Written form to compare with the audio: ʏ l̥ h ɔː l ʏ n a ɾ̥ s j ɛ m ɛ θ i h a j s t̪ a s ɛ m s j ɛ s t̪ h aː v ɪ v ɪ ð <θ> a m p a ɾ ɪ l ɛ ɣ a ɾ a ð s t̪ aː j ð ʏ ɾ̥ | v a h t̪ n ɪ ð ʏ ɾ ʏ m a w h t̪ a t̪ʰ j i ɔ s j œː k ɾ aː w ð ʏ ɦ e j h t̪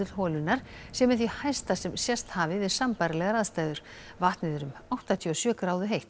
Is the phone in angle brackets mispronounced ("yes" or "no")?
yes